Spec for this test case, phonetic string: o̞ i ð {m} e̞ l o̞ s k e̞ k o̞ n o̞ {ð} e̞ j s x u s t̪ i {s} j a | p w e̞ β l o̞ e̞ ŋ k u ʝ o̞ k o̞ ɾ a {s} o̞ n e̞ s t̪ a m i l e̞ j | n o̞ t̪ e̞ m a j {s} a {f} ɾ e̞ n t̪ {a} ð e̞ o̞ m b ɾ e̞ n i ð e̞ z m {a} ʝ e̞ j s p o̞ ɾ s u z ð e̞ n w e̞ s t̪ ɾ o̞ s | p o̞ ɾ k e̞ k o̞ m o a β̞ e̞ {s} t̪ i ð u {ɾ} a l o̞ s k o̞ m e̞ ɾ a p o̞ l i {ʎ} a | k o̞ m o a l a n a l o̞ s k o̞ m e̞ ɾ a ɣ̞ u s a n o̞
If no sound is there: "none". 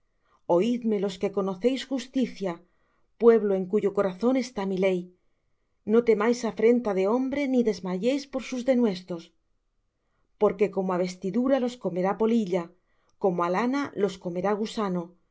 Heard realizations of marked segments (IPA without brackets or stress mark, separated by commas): m, θ, θ, θ, s, f, a, a, s, ɾ, ʎ